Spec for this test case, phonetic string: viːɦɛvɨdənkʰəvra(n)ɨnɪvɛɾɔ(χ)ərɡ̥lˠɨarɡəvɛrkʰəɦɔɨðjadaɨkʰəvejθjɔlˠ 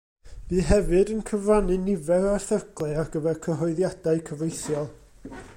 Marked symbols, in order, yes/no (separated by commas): yes, no